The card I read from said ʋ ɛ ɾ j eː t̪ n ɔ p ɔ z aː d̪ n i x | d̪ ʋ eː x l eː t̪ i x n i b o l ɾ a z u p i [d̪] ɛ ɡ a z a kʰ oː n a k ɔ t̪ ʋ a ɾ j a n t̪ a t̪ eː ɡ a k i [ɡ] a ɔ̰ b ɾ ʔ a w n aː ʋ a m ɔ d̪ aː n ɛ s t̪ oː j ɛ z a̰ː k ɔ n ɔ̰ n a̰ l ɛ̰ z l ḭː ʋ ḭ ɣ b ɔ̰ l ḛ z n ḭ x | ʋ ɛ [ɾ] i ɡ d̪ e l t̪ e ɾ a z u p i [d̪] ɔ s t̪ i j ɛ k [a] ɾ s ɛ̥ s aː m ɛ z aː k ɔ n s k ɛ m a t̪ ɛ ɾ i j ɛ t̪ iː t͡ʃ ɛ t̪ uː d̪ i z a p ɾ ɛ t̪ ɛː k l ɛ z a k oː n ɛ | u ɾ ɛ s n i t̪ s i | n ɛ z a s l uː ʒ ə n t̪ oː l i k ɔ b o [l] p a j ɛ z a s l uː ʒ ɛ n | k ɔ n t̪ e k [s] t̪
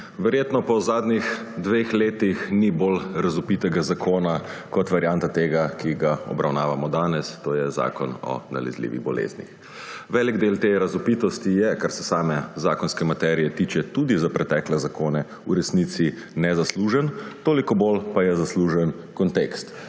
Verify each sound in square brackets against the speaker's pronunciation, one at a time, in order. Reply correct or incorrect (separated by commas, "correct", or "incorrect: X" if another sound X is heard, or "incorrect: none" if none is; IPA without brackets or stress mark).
incorrect: t̪, correct, incorrect: l, incorrect: t̪, correct, correct, correct